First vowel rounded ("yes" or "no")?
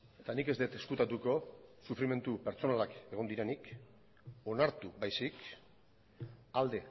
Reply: no